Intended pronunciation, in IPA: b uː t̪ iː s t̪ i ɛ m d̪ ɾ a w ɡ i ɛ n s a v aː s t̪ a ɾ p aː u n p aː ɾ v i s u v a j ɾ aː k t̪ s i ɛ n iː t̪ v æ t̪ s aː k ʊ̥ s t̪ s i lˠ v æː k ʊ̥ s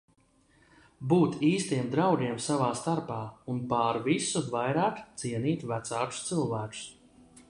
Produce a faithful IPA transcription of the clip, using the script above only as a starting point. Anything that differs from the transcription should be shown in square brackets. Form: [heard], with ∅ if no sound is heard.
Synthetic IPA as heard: b uː t̪ iː s t̪ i ɛ m d̪ ɾ a w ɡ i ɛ [m] s a v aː s t̪ a ɾ p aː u n p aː ɾ v i s u v a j ɾ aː k t̪ s i ɛ n iː t̪ v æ t̪ s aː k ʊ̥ s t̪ s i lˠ v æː k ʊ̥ s